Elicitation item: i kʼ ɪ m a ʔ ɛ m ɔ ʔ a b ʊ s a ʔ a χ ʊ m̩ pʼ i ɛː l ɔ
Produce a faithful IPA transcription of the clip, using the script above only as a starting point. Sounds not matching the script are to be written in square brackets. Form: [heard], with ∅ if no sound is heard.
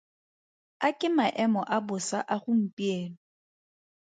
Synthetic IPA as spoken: [a] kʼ ɪ m a ʔ ɛ m ɔ ʔ a b ʊ s a ʔ a χ ʊ m̩ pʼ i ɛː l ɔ